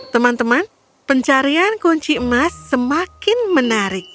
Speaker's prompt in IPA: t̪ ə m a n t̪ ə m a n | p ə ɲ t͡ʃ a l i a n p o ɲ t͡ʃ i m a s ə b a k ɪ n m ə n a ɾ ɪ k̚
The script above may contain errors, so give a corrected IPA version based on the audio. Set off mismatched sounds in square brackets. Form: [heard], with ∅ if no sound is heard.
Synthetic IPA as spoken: t̪ ə m a n t̪ ə m a n | p ə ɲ t͡ʃ a [ɾ] i a n [k] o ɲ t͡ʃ i m a [sː] ə [m] a k ɪ n m ə n a ɾ ɪ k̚